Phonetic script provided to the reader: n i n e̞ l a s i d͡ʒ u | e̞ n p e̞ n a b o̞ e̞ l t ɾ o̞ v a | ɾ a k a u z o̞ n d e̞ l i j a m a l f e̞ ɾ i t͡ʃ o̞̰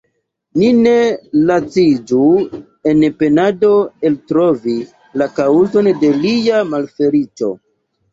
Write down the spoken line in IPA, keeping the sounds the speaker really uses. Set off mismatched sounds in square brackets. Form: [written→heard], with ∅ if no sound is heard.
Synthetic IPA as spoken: n i n e̞ l a [s→t͡s] i d͡ʒ u | e̞ n p e̞ n a [b→d] o̞ e̞ l t ɾ o̞ v [a→i] | [ɾ→l] a k a u z o̞ n d e̞ l i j a m a l f e̞ ɾ i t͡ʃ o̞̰

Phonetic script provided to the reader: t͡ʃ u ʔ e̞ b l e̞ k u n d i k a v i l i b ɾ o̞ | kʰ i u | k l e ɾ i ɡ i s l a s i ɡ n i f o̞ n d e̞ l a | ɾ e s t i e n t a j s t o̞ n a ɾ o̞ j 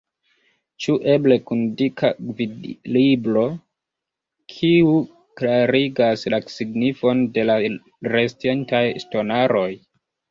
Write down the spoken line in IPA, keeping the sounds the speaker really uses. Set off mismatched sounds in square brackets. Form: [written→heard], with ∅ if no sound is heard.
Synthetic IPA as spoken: t͡ʃ u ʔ e̞ b l e̞ k u n d i k a v i l i b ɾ o̞ | kʰ i u | k l [e→a] ɾ i ɡ [i→a] s l a s i ɡ n i f o̞ n d e̞ l a | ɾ e s t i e n t a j s t o̞ n a ɾ o̞ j

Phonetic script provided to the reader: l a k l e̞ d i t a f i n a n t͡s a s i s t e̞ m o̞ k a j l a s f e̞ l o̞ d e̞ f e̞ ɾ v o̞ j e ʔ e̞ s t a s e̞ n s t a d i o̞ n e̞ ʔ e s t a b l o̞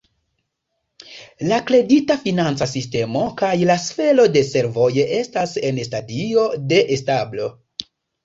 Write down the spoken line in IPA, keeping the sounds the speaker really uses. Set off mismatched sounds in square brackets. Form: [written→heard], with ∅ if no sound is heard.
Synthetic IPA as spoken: l a k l e̞ d i t a f i n a n t͡s a s i s t e̞ m o̞ k a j l a s f e̞ l o̞ d e̞ [f→s] e̞ ɾ v o̞ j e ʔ e̞ s t a s e̞ n s t a d i o̞ [n→d] e̞ ʔ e s t a b l o̞

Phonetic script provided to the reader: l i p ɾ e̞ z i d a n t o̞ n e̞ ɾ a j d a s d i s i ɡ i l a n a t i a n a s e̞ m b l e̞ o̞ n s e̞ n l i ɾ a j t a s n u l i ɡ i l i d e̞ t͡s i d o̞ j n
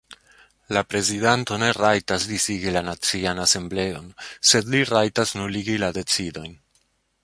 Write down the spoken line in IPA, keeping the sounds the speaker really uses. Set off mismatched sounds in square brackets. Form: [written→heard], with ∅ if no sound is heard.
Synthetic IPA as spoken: l [i→a] p ɾ e̞ z i d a n t o̞ n e̞ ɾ a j [d→t] a s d i s i ɡ i l a n a [t→t͡s] i a n a s e̞ m b l e̞ o̞ n s e̞ [n→d] l i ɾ a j t a s n u l i ɡ i l [i→a] d e̞ t͡s i d o̞ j n

